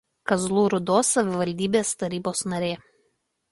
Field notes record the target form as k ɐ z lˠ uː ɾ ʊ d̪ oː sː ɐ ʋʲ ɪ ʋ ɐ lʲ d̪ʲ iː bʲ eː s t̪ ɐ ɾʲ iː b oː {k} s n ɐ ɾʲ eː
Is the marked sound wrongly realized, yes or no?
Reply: yes